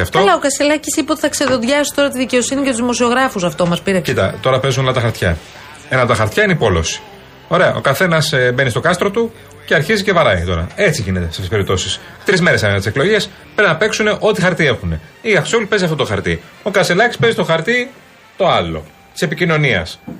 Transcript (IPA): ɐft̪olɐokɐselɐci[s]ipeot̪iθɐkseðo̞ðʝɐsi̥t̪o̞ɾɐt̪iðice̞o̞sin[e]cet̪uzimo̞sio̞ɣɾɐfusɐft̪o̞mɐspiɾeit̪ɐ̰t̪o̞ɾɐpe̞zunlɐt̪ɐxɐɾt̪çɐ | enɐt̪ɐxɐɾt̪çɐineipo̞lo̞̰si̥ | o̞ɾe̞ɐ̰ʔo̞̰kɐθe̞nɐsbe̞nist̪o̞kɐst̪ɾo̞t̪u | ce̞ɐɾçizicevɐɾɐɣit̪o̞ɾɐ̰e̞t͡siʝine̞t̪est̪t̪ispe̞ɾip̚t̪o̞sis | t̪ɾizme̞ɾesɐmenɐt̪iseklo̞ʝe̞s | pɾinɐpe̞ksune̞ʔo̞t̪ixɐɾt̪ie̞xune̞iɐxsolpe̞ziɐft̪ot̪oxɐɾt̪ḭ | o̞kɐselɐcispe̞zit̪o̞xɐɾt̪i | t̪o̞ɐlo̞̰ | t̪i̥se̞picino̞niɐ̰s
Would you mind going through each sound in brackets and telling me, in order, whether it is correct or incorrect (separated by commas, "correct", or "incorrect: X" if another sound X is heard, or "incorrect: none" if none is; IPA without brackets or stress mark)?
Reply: correct, incorrect: i